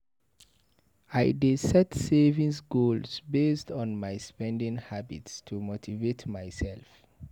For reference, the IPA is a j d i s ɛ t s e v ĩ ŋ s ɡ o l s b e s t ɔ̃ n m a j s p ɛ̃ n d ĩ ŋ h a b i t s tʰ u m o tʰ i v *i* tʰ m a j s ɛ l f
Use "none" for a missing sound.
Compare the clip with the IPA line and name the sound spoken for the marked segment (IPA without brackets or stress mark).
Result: e